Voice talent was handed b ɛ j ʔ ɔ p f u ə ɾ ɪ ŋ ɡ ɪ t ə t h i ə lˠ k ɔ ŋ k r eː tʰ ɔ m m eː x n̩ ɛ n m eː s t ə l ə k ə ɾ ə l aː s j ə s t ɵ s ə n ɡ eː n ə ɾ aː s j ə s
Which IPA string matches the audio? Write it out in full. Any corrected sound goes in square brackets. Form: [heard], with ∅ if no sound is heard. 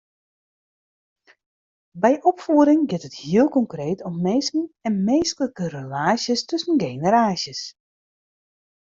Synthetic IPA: b ɛ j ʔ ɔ p f u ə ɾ ɪ ŋ ɡ ɪ t ə t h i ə lˠ k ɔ ŋ k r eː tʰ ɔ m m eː [s] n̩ ɛ n m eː s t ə l ə k ə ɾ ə l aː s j ə s t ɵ s ə n ɡ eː n ə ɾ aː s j ə s